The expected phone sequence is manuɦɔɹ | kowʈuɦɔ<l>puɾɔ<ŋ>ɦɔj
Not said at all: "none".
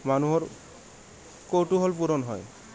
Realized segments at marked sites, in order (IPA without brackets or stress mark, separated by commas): l, n